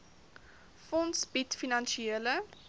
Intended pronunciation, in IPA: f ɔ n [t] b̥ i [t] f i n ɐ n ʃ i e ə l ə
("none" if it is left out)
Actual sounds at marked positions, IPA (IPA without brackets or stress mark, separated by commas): s, t